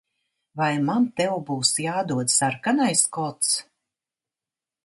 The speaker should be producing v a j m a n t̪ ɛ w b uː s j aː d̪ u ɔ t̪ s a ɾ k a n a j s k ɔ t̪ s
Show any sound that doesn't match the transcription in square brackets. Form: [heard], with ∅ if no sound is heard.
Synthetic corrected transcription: v a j m a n t̪ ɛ w b uː s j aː d̪ u ɔ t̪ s a ɾ k a n a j s k ɔ t̪ s